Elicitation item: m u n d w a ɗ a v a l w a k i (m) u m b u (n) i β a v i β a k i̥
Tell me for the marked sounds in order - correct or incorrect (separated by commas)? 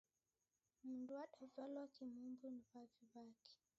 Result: correct, correct